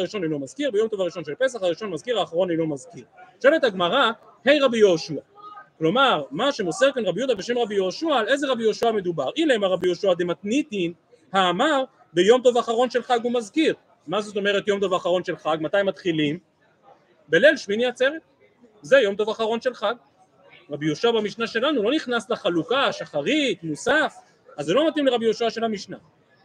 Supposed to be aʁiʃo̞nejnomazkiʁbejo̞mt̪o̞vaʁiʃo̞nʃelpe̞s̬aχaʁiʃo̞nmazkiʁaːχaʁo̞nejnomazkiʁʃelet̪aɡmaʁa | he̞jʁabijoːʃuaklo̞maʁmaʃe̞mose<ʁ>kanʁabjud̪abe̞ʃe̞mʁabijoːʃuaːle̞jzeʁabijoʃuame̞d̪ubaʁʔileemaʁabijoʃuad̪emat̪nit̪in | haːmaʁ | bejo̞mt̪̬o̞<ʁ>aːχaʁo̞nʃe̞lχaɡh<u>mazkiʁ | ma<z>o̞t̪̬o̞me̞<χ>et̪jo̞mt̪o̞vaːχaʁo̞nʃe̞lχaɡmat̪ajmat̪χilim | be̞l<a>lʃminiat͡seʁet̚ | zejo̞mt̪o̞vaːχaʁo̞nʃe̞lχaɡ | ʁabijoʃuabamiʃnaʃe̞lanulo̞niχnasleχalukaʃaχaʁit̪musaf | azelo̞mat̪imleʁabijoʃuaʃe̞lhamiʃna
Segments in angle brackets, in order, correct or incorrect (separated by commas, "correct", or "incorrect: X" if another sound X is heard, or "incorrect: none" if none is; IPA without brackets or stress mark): correct, incorrect: v, correct, correct, incorrect: ʁ, incorrect: e